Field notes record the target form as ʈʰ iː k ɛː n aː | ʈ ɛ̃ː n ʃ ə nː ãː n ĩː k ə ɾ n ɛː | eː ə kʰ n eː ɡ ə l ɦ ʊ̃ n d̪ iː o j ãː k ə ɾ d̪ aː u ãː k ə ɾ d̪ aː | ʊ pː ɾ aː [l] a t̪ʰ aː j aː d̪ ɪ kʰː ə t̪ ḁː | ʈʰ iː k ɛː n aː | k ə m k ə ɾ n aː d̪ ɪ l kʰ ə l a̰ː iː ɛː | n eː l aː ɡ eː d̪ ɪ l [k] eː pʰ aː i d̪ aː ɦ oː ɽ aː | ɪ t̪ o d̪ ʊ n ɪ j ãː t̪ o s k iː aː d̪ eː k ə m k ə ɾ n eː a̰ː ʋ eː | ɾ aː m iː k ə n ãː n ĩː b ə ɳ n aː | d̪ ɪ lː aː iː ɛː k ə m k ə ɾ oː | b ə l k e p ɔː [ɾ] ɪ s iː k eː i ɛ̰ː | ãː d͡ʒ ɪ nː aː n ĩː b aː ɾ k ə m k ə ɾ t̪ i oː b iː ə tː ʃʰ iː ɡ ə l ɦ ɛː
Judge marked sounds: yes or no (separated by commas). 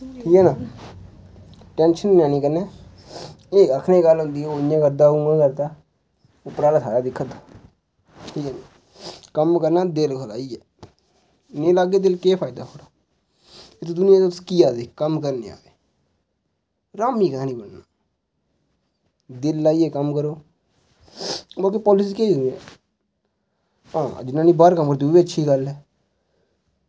yes, yes, no